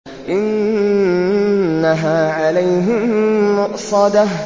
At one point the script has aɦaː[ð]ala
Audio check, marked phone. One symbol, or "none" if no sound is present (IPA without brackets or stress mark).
ʕ